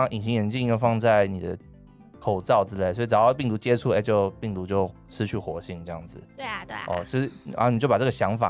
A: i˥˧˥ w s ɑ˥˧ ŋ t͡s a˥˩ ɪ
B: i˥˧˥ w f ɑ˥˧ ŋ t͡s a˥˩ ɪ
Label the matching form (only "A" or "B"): B